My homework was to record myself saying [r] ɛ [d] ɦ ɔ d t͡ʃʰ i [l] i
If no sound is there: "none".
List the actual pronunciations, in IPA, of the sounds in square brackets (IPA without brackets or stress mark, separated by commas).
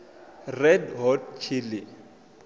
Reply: r, d, l